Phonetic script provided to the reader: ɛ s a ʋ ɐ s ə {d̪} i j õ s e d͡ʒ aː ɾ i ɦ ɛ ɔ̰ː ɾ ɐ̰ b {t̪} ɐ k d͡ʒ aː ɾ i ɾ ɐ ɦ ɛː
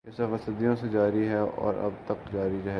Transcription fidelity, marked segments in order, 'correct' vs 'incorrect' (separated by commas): correct, correct